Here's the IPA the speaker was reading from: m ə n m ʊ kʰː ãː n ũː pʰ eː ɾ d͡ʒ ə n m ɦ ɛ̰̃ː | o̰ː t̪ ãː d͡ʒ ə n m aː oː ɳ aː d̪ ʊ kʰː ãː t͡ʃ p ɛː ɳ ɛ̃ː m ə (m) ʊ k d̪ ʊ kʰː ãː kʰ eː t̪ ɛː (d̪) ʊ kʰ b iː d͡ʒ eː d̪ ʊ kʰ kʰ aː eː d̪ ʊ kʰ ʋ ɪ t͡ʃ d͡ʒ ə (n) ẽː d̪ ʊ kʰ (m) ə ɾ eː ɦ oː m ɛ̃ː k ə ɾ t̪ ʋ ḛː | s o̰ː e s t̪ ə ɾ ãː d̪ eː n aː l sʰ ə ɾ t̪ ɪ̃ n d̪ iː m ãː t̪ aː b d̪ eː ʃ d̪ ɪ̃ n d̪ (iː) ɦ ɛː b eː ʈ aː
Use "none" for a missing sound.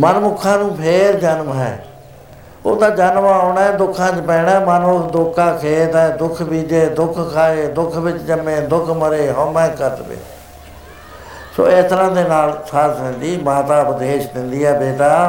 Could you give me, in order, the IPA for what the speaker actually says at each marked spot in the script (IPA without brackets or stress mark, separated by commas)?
n, d̪, m, m, iː